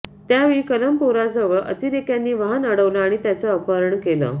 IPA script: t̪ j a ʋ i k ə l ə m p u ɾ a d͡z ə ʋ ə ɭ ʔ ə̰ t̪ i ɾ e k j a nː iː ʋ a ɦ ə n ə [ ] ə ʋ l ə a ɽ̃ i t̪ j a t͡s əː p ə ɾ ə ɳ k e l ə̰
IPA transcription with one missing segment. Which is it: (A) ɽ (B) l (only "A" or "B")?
A